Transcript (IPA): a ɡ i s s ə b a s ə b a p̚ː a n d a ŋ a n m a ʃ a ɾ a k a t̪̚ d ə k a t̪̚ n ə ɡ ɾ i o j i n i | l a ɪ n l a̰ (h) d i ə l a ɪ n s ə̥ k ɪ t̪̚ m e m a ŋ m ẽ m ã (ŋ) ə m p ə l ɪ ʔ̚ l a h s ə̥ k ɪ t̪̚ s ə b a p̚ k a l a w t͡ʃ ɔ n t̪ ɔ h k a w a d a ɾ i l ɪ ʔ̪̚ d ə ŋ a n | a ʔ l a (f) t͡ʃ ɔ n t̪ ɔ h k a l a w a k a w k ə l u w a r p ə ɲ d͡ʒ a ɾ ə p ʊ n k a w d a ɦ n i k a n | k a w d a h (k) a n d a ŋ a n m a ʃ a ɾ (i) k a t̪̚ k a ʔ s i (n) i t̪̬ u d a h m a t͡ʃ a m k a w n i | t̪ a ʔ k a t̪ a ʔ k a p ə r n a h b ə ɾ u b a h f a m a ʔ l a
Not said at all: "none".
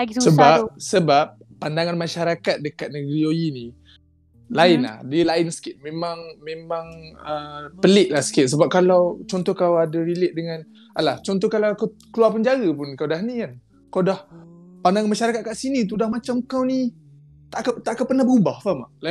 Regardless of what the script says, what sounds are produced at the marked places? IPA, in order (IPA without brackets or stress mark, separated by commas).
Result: h, ŋ, h, p, a, n